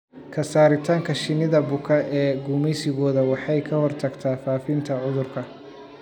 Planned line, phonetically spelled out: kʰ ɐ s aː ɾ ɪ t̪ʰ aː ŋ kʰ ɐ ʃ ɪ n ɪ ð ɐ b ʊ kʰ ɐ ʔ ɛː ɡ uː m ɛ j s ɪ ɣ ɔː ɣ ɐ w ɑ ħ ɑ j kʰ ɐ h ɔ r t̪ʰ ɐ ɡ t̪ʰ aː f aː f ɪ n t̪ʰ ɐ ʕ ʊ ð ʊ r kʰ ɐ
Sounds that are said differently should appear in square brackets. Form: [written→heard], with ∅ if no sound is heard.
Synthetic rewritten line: kʰ ɐ s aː ɾ ɪ t̪ʰ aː ŋ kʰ ɐ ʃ ɪ n ɪ ð ɐ b ʊ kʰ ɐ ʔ ɛː ɡ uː m ɛ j s ɪ ɣ ɔː [ɣ→ð] ɐ w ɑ ħ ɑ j kʰ ɐ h ɔ r t̪ʰ ɐ ɡ t̪ʰ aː f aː f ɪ n t̪ʰ ɐ ʕ ʊ ð ʊ r kʰ ɐ